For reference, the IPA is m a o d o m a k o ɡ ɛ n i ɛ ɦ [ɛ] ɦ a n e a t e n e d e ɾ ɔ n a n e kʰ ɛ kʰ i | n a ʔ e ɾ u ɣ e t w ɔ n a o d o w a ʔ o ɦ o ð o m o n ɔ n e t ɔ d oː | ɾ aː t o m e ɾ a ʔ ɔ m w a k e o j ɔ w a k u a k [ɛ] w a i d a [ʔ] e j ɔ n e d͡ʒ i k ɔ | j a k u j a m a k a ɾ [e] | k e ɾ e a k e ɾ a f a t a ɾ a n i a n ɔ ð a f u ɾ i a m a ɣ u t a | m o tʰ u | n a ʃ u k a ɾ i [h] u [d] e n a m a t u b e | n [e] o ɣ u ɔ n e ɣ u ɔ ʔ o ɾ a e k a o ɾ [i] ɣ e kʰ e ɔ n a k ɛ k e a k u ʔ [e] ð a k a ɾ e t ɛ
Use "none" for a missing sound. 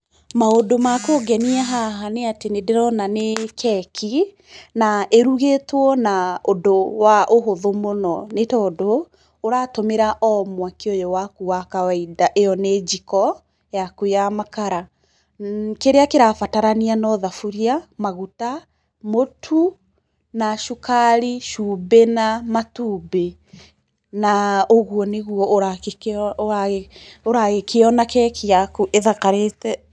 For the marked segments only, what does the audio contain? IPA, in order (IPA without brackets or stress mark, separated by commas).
a, a, ʔ, a, ʃ, b, a, a, e